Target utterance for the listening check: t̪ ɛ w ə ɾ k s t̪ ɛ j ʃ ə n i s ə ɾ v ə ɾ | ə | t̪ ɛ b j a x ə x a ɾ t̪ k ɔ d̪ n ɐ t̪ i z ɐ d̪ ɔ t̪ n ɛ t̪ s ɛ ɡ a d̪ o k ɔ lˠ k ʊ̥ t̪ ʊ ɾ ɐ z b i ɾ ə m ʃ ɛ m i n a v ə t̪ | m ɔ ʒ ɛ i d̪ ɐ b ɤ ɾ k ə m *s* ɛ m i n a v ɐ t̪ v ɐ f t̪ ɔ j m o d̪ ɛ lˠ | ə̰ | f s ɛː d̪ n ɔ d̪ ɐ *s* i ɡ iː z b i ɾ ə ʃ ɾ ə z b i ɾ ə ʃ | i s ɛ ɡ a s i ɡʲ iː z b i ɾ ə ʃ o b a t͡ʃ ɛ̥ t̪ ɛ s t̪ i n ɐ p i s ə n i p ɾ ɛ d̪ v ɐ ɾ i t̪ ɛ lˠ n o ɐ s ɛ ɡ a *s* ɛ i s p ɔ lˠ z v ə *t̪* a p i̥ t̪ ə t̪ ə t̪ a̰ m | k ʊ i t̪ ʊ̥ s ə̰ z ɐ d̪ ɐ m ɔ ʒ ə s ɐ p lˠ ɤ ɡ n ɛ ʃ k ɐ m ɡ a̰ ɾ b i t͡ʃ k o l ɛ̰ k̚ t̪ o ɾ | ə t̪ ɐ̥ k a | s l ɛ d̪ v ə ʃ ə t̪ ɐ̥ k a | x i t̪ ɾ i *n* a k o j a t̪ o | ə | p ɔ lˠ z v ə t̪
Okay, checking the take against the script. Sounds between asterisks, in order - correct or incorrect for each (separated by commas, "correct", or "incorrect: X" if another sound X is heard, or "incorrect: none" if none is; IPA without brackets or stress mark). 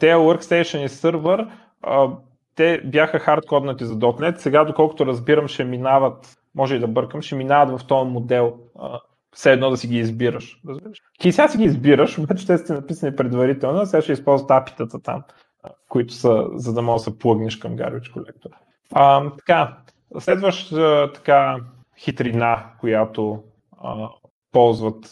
incorrect: ʃ, correct, incorrect: ʃ, correct, correct